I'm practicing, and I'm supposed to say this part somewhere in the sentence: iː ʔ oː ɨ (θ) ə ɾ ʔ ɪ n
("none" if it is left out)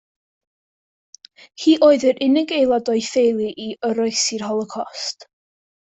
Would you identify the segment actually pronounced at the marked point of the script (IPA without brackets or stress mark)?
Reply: ð